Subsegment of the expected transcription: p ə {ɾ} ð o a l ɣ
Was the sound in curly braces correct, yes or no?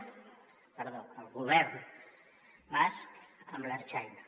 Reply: yes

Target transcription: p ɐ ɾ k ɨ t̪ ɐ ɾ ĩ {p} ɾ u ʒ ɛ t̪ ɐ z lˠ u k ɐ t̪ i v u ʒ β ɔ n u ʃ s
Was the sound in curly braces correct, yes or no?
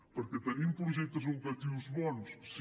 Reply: yes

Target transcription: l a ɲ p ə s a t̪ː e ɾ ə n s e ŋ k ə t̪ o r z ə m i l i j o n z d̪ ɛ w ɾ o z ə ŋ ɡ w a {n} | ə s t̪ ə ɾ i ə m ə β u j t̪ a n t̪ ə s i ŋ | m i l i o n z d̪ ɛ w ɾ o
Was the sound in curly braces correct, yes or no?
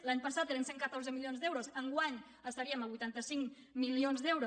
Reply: no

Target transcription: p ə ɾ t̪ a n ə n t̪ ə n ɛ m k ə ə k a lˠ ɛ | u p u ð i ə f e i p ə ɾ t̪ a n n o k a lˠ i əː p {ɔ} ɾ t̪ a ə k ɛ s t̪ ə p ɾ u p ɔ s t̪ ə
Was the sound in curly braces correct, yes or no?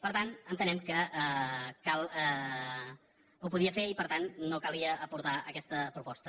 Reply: no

